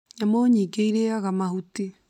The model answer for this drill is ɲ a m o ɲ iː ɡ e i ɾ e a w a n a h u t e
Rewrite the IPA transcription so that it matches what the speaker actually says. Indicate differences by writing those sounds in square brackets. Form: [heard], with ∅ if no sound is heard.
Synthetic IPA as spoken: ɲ a m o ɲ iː ɡ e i ɾ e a [ɣ] a [m] a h u t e